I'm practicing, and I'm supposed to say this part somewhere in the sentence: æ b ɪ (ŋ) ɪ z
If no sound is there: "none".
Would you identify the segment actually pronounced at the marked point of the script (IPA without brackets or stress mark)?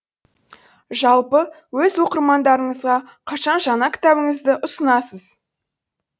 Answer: ŋ